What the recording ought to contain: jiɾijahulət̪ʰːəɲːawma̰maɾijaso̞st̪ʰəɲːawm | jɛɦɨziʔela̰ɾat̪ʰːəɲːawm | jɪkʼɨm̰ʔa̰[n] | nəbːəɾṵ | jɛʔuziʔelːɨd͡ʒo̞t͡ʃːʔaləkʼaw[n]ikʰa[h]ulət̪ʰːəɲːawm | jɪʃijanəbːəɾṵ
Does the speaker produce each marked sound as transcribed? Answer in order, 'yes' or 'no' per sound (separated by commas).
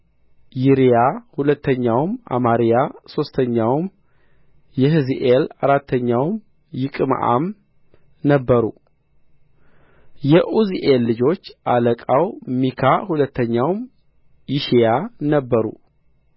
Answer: no, no, yes